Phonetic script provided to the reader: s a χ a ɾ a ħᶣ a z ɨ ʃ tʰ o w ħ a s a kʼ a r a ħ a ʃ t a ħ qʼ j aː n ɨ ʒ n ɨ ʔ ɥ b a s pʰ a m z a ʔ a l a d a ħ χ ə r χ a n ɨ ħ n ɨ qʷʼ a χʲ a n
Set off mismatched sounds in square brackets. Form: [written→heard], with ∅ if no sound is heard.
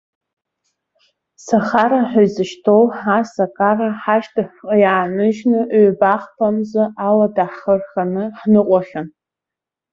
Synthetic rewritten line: s a χ a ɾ a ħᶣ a z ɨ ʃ tʰ o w ħ a s a kʼ a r a ħ a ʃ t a ħ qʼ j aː n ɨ ʒ n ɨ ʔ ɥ b a [s→χ] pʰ a m z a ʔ a l a d a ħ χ ə r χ a n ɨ ħ n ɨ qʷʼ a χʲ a n